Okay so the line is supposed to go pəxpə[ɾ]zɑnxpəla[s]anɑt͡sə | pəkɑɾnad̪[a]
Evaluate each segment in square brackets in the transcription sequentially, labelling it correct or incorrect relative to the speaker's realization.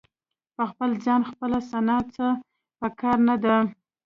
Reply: incorrect, correct, correct

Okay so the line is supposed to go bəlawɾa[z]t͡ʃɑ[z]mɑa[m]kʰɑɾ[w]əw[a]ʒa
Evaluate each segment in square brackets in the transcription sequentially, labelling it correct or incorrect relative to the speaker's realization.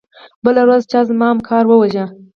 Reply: correct, correct, correct, correct, correct

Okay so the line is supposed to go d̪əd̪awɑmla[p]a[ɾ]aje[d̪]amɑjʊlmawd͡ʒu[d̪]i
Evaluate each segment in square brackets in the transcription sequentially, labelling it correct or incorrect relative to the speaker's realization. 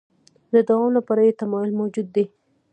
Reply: correct, correct, incorrect, incorrect

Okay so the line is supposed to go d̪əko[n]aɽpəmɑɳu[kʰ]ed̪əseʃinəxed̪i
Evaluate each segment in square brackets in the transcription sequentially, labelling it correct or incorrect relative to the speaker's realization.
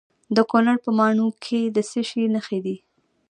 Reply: correct, correct

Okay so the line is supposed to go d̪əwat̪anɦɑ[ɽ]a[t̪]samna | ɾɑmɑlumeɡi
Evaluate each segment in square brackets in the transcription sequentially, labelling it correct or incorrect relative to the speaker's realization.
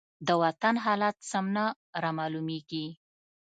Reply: incorrect, correct

